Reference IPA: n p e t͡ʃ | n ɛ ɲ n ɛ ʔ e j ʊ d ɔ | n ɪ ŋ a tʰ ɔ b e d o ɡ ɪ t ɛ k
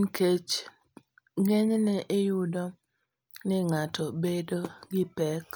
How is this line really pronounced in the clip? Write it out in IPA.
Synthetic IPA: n k e t͡ʃ | ŋ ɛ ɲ n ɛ ʔ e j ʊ d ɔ | n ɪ ŋ a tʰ ɔ b e d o ɡ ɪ p ɛ k